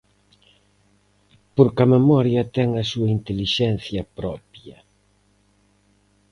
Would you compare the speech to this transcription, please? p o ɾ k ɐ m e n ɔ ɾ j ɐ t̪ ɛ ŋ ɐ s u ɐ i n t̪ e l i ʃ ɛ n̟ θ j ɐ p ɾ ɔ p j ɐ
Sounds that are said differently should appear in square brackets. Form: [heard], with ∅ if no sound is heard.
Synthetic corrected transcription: p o ɾ k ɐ m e [m] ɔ ɾ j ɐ t̪ ɛ ŋ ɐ s u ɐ i n t̪ e l i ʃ ɛ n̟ θ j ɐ p ɾ ɔ p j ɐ